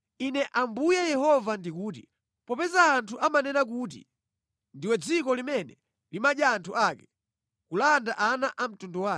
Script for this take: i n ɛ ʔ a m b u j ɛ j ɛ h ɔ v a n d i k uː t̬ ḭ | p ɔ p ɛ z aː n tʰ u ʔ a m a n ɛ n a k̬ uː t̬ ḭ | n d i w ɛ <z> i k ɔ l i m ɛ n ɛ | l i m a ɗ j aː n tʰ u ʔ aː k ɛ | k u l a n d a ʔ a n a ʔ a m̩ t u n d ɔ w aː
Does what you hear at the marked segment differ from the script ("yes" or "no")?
yes